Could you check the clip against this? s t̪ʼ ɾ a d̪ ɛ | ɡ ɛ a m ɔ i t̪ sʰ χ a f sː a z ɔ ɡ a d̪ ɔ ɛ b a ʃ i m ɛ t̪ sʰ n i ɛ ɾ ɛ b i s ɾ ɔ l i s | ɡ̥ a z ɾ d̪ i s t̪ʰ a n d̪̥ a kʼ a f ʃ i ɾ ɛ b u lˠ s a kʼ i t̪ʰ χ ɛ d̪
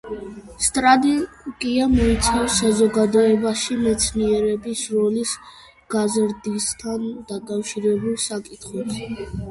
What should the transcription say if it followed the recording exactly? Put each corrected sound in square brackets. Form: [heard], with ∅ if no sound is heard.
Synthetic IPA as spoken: s t̪ʼ ɾ a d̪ ɛ | ɡ [i] a m ɔ i t̪ sʰ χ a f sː a z ɔ ɡ a d̪ ɔ ɛ b a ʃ i m ɛ t̪ sʰ n i ɛ ɾ ɛ b i s ɾ ɔ l i s | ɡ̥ a z ɾ d̪ i s t̪ʰ a n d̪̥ a kʼ a f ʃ i ɾ ɛ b u lˠ s a kʼ i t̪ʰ χ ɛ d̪